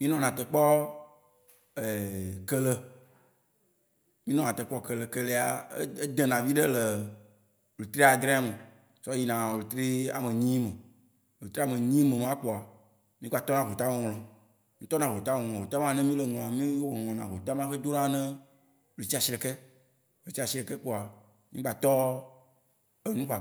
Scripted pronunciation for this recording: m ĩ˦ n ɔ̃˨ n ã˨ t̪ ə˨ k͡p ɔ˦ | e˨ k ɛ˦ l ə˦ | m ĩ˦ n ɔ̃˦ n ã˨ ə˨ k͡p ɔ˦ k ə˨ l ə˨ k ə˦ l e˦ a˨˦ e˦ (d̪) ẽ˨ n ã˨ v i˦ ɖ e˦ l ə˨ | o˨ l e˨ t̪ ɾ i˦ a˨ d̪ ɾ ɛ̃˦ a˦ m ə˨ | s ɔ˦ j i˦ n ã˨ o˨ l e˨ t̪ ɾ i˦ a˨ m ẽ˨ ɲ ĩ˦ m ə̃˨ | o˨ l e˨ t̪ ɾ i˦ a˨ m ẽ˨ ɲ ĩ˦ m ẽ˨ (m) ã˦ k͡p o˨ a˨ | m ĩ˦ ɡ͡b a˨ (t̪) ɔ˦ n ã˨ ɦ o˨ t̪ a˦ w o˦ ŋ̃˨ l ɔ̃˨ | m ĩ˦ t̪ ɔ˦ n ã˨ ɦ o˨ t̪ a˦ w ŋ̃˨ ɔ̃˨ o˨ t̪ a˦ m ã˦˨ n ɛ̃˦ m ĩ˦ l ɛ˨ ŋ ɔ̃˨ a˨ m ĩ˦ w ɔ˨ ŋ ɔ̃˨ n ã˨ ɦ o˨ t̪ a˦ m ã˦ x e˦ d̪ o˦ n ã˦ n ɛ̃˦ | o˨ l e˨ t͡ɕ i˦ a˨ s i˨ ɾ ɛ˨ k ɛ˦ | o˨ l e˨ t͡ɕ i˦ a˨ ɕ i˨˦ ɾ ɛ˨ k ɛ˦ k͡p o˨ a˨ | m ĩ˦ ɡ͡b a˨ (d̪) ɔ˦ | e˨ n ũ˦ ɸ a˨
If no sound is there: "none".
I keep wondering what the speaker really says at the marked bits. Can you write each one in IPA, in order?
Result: d̪, m, t̪, t̪

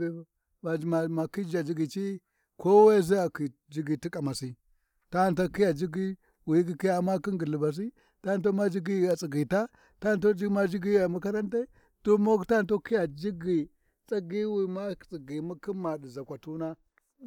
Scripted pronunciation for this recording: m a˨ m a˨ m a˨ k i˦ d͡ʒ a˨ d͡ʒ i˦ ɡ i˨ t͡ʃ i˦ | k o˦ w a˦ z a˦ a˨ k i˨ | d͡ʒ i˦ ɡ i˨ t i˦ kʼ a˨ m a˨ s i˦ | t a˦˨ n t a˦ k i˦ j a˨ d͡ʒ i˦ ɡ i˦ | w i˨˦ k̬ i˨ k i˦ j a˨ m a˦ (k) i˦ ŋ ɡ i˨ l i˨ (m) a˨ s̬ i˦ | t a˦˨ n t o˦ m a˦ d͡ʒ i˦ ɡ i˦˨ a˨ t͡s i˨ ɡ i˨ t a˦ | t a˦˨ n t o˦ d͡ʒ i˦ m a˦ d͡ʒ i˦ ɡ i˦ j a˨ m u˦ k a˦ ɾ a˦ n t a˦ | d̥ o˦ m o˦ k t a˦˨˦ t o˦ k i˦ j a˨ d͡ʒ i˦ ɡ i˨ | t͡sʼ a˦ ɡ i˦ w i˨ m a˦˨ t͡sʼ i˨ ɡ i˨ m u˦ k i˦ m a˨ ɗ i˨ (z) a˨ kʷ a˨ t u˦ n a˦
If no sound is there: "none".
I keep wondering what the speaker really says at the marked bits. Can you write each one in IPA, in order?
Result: k, b, z

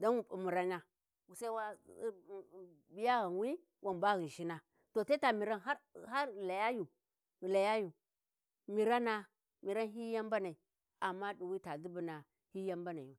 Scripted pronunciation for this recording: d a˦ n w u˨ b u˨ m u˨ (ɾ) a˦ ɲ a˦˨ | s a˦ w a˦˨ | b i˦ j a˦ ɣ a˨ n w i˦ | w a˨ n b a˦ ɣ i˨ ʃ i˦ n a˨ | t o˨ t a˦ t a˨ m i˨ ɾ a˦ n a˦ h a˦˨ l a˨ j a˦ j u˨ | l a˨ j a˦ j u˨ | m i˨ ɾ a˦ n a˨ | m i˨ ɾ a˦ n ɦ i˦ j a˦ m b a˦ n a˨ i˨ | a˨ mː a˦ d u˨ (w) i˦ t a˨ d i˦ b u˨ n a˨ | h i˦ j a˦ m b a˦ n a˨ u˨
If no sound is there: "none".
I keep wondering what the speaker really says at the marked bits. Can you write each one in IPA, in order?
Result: ɾ, w

